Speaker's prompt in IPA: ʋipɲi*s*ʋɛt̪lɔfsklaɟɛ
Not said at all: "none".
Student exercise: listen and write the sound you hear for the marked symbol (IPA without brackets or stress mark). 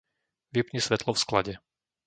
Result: s